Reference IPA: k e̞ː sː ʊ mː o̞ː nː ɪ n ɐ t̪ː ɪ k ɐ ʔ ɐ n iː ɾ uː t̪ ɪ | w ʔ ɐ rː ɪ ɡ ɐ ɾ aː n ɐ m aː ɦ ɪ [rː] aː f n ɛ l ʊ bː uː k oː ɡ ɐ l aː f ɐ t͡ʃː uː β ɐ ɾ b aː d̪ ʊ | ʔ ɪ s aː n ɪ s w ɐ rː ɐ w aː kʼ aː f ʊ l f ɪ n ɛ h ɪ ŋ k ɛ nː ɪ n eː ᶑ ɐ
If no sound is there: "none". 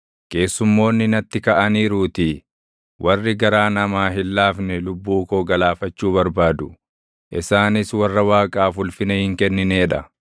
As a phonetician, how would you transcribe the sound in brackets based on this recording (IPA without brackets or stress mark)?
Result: lː